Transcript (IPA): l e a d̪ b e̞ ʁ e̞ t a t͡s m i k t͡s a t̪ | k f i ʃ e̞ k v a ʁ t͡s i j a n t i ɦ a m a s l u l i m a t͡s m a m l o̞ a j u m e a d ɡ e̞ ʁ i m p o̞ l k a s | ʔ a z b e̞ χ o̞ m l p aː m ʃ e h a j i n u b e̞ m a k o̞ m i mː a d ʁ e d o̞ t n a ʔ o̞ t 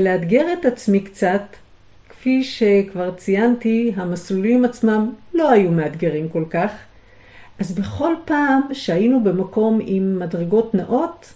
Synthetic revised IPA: l e a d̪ ɡ e̞ ʁ e̞ t a t͡s m i k t͡s a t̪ | k f i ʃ e̞ k v a ʁ t͡s i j a n t i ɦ a m a s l u l i m a t͡s m a m l o̞ a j u m e a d ɡ e̞ ʁ i m k o̞ l k a χ | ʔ a z b e̞ χ o̞ l p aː m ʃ e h a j i n u b e̞ m a k o̞ m i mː a d ʁ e ɡ o̞ t n a ʔ o̞ t